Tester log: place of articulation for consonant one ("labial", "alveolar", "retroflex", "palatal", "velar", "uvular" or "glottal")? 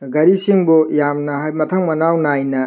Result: velar